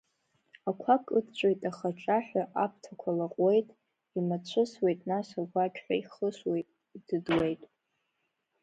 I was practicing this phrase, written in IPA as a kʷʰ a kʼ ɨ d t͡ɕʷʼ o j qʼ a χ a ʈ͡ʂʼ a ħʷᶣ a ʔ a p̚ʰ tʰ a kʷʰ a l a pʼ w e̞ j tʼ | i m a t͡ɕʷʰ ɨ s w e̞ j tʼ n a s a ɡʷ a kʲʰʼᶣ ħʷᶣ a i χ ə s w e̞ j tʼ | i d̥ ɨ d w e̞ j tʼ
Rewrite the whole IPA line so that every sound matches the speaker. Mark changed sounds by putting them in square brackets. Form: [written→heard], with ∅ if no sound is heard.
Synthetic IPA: a kʷʰ a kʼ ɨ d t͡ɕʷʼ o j [qʼ→tʼ] a χ a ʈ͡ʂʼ a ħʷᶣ a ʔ a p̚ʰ tʰ a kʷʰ a l a [pʼ→qʼ] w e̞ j tʼ | i m a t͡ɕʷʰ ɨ s w e̞ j tʼ n a s a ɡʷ a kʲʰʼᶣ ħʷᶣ a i χ ə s w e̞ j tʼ | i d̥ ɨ d w e̞ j tʼ